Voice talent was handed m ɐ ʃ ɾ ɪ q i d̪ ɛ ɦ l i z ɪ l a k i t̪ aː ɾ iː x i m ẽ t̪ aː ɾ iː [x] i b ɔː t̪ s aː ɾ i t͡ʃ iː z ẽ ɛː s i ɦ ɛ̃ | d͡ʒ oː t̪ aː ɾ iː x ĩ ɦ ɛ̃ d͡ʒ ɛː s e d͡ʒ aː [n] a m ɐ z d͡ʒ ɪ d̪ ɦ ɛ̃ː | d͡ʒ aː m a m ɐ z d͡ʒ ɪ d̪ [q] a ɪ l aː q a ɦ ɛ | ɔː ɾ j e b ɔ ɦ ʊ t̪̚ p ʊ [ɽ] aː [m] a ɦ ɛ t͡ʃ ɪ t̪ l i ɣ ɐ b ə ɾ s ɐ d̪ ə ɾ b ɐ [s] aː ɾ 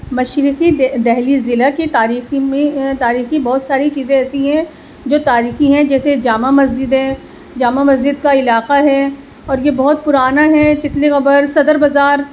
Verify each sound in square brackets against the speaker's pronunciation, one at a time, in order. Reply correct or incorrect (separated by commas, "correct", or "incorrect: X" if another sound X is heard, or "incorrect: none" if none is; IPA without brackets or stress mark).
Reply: correct, incorrect: m, incorrect: k, incorrect: ɾ, incorrect: n, incorrect: z